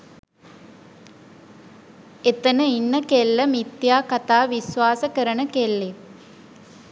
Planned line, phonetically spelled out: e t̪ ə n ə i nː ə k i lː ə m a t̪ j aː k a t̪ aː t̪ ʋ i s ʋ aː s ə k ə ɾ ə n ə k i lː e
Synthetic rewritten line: e t̪ ə n ə i nː ə k e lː ə m i t̪ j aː k a t̪ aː ʋ i s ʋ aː s ə k ə ɾ ə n ə k e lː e